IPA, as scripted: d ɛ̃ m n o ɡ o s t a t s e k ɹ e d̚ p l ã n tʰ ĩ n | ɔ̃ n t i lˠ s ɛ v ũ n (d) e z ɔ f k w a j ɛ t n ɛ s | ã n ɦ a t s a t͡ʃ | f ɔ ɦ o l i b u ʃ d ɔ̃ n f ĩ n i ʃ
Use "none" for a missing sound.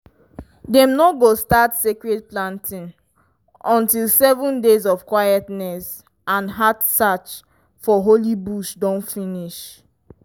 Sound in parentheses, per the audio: d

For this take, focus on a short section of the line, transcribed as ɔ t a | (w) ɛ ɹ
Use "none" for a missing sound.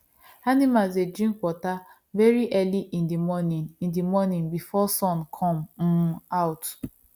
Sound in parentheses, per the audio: v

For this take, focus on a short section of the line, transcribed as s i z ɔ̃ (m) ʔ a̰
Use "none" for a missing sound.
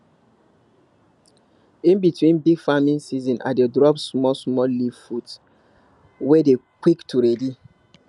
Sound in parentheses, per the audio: n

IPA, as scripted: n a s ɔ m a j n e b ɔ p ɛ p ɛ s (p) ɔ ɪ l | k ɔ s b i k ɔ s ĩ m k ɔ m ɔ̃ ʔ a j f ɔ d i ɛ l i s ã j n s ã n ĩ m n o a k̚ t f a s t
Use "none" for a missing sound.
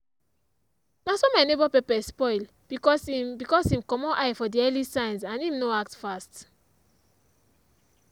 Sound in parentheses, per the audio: p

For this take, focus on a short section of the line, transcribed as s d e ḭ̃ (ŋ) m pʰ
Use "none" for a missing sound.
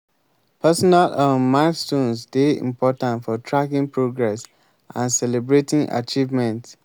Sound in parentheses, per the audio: none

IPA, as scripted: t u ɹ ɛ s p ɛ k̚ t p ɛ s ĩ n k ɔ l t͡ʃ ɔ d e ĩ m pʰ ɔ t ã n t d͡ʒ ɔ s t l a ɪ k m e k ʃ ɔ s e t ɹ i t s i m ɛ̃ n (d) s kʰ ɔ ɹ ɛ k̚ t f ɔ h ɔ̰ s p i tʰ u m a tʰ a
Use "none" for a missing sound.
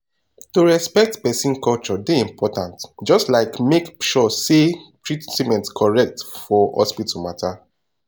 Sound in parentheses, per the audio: t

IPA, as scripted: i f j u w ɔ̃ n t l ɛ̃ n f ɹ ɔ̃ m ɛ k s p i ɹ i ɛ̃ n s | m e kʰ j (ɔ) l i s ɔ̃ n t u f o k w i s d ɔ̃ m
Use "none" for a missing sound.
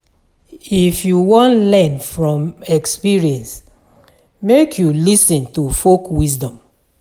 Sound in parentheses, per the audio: u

